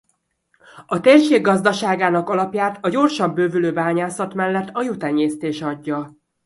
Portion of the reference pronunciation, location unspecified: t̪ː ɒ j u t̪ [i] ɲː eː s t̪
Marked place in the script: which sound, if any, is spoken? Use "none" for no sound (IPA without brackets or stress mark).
ɛ